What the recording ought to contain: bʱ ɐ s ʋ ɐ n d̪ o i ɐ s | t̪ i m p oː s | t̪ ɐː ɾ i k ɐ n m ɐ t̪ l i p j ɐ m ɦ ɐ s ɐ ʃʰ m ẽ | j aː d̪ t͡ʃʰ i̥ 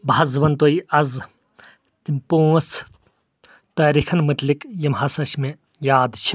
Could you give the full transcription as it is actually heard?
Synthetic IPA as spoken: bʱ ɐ z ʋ ɐ n t̪ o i ɐ z | t̪ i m p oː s | t̪ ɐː ɾ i kʰ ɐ n m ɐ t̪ l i k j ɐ m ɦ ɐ s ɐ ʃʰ m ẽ | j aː d̪ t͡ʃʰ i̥